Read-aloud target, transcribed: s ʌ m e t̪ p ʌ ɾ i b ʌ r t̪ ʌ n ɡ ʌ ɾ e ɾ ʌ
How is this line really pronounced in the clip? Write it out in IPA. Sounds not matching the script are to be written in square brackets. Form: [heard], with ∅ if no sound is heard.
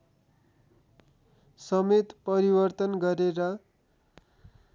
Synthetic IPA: s ʌ m e t̪ p ʌ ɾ i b ʌ r t̪ ʌ n ɡ ʌ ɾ e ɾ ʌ